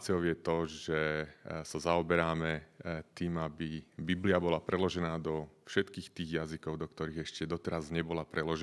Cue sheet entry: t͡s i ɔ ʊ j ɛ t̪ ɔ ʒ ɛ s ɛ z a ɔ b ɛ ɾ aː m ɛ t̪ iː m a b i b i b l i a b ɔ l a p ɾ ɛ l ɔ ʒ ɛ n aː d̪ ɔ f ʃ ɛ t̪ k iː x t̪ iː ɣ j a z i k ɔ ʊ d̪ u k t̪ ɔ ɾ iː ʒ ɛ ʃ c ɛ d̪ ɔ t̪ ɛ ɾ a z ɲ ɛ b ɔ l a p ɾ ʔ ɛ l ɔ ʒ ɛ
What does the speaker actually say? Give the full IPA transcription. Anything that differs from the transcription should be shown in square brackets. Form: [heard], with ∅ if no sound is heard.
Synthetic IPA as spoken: t͡s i ɔ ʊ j ɛ t̪ ɔ ʒ ɛ s [a] z a ɔ b ɛ ɾ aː m ɛ t̪ iː m a b i b i b l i a b ɔ l a p ɾ ɛ l ɔ ʒ ɛ n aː d̪ ɔ f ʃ ɛ t̪ k iː x t̪ iː ɣ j a z i k ɔ ʊ d̪ [ɔ] k t̪ ɔ ɾ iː [ɣ] ɛ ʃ c ɛ d̪ ɔ t̪ ɛ ɾ a z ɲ ɛ b ɔ l a p ɾ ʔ ɛ l ɔ ʒ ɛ